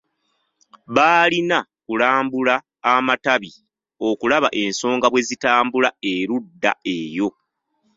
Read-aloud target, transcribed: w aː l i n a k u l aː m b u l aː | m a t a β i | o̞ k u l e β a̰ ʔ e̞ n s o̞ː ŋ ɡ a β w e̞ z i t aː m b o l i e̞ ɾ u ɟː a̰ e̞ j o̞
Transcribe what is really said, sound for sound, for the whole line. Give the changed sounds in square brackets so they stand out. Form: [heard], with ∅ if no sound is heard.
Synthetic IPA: [β] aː l i n a k u l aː m b u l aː | m a t a β i | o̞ k u l [a] β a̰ ʔ e̞ n s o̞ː ŋ ɡ a β w e̞ z i t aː m b [u] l [a] e̞ ɾ u [dː] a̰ e̞ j o̞